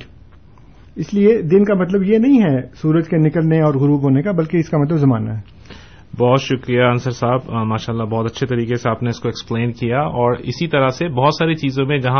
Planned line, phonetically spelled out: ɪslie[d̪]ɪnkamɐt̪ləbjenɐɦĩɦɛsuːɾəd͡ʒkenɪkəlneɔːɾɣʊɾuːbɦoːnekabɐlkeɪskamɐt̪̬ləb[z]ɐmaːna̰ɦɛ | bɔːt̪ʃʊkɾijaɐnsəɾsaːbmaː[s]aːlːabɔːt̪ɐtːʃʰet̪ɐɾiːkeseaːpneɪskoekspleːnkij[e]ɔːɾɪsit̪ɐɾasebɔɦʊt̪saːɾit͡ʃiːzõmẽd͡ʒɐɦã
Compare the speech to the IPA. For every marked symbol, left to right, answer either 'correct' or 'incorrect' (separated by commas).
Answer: correct, correct, incorrect, incorrect